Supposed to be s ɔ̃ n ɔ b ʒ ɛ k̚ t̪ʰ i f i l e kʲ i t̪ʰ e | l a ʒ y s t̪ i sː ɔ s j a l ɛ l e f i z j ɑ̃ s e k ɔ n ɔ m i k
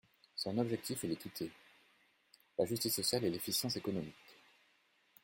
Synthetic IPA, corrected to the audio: s ɔ̃ n ɔ b ʒ ɛ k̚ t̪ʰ i f ɛ l e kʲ i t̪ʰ e | l a ʒ y s t̪ i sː ɔ s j a l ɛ l e f i s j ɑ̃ s e k ɔ n ɔ m i k